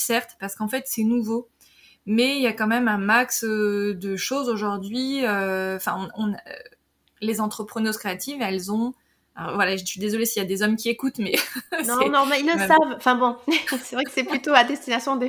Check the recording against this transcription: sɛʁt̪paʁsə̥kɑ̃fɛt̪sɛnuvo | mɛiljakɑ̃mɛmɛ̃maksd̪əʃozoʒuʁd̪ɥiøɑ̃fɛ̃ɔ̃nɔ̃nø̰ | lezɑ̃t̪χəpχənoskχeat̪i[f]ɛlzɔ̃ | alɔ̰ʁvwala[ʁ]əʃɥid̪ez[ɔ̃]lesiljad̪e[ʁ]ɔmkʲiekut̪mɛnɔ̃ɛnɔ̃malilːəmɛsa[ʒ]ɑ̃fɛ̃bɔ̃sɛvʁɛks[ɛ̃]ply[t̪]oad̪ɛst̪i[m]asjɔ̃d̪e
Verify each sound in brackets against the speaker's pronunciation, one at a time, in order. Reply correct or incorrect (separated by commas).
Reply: incorrect, incorrect, incorrect, incorrect, incorrect, incorrect, correct, incorrect